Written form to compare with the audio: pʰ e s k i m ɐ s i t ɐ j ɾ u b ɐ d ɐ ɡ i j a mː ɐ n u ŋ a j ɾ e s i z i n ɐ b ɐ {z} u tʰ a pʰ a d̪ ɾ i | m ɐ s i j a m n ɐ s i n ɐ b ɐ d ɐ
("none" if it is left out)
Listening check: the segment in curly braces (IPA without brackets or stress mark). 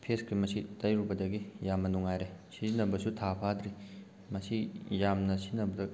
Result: s